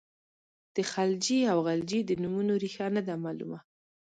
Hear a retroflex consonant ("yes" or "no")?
no